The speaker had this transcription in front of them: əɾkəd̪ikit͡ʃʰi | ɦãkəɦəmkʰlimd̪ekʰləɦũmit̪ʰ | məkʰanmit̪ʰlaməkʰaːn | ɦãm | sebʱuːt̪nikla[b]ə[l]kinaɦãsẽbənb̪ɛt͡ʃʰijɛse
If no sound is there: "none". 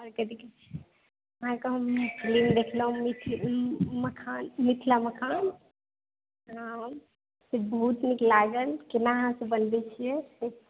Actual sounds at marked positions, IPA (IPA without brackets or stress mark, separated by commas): ɡ, l